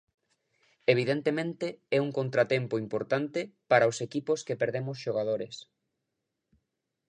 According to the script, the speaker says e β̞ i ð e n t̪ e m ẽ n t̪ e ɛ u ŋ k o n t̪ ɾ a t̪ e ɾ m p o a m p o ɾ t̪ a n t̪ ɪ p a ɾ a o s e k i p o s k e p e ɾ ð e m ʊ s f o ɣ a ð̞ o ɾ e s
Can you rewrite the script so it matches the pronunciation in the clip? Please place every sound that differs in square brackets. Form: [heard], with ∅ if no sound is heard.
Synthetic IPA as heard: e β̞ i ð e n t̪ e m ẽ n t̪ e ɛ u ŋ k o n t̪ ɾ a t̪ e [∅] m p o [i] m p o ɾ t̪ a n t̪ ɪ p a ɾ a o s e k i p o s k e p e ɾ ð e m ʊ s [ʃ] o ɣ a ð̞ o ɾ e s